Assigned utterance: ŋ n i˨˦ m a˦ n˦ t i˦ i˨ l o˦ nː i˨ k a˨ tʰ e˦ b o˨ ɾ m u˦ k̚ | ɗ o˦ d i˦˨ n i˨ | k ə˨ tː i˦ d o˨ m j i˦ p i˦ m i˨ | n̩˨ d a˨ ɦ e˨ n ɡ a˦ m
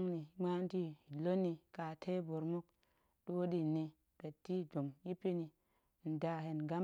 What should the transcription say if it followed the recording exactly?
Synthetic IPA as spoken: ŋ n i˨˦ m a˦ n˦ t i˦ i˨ l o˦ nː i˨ k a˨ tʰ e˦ b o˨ ɾ m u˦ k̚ | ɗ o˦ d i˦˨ n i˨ | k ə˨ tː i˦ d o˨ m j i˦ p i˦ n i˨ | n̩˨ d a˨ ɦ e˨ n ɡ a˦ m